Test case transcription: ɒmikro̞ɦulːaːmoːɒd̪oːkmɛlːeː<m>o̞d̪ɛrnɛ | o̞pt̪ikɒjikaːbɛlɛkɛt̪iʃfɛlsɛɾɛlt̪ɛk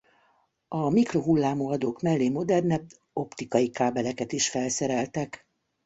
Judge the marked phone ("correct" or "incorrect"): correct